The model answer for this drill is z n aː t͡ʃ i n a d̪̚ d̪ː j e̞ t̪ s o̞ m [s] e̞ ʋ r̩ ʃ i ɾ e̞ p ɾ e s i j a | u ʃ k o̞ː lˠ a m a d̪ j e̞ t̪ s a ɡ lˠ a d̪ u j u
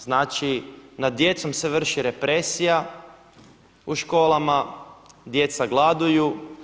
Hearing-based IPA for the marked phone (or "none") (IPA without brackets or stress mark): s